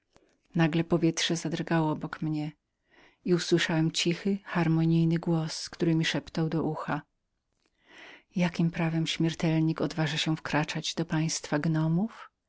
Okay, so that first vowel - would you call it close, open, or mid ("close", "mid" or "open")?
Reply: open